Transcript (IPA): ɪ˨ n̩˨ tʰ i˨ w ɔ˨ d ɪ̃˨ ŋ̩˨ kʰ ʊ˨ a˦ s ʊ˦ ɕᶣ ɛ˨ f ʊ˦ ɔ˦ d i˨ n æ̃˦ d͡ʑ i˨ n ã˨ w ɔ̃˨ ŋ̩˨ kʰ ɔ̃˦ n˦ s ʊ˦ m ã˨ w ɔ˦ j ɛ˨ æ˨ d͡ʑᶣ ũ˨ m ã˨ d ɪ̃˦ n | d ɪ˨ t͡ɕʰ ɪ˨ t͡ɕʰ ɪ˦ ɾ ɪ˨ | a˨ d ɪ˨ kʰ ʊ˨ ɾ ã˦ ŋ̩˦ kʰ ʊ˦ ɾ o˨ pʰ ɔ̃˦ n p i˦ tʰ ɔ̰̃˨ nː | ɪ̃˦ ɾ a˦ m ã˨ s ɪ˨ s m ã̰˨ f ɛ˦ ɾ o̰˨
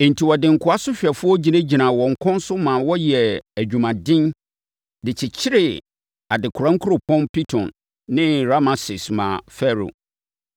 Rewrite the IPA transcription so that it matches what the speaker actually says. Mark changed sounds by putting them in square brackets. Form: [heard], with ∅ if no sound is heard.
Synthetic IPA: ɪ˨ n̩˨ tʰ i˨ w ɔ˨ d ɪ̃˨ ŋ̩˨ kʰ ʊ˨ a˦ s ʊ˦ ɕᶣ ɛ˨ f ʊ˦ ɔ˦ [d͡ʑ] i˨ n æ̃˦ d͡ʑ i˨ n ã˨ w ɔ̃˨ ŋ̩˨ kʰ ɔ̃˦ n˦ s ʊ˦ m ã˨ w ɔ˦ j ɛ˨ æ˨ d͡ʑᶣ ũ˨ m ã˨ d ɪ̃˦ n | d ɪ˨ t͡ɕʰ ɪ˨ t͡ɕʰ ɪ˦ ɾ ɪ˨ | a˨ d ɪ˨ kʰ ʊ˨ ɾ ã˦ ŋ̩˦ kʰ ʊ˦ ɾ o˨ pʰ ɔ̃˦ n p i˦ tʰ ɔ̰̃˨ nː | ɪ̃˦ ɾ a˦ m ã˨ s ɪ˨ s m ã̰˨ f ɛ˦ ɾ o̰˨